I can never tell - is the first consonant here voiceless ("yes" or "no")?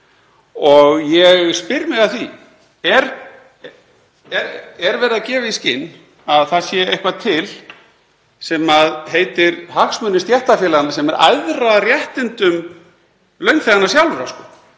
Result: no